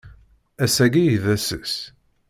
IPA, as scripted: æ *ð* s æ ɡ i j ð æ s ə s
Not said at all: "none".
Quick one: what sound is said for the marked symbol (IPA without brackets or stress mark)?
none